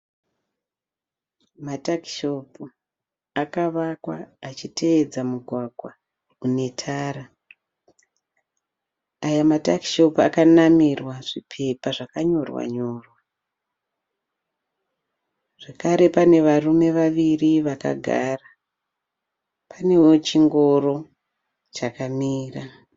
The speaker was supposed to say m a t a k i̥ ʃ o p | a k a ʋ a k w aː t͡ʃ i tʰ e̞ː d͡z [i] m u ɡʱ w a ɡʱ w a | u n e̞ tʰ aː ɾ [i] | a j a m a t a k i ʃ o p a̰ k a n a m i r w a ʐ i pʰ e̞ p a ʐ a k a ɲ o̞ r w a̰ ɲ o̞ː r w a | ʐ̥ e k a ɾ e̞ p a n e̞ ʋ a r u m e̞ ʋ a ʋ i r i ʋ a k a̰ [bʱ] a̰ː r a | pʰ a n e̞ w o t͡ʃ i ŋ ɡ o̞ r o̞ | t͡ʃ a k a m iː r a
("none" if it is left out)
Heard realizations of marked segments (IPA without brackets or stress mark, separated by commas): a, a, ɡʱ